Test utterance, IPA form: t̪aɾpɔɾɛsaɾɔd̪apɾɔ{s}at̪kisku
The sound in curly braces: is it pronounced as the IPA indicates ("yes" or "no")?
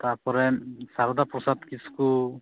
yes